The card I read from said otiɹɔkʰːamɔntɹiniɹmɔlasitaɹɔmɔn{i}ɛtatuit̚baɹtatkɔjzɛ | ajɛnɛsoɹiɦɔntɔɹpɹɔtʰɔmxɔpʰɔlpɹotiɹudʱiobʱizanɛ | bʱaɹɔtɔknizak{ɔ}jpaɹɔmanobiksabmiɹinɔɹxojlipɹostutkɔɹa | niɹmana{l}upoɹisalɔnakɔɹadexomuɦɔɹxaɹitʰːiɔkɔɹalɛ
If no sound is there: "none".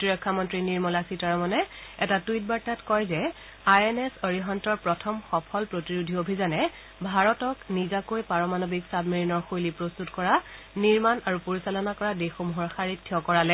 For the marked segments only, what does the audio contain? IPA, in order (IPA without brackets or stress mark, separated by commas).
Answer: ɛ, o, ɹ